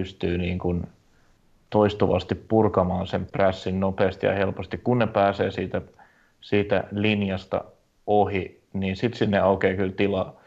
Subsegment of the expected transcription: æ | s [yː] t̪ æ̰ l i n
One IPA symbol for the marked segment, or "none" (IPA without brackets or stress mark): iː